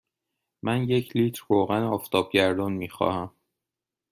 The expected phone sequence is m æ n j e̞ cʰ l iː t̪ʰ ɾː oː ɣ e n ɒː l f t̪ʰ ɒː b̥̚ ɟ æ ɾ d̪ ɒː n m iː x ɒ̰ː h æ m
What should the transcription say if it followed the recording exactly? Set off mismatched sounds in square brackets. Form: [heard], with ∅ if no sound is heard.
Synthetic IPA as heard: m æ n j e̞ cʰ l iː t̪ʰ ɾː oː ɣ [æ] n ɒː [∅] f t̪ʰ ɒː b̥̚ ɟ æ ɾ d̪ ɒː n m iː x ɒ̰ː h æ m